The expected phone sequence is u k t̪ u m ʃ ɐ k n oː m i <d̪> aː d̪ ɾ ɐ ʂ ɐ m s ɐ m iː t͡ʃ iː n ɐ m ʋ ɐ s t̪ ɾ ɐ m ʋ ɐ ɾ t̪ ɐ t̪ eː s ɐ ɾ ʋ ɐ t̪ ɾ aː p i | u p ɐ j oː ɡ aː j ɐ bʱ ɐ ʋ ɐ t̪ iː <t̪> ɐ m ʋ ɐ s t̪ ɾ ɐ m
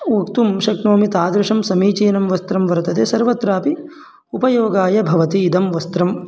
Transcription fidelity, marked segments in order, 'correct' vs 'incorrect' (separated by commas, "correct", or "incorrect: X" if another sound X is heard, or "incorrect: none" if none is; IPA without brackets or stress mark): incorrect: t̪, incorrect: d̪